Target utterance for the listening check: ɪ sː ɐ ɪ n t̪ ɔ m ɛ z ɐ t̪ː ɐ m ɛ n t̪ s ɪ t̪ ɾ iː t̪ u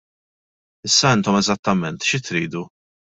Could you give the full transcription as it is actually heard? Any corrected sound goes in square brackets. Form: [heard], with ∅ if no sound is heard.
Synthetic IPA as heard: ɪ sː ɐ ɪ n t̪ ɔ m ɛ z ɐ t̪ː ɐ m ɛ n t̪ [ʃ] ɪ t̪ ɾ iː [d̪] u